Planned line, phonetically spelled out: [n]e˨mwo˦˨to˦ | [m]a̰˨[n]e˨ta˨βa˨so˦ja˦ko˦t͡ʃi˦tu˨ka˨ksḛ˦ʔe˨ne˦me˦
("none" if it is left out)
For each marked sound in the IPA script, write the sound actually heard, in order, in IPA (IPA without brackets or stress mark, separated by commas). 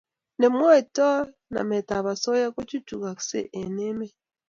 n, n, m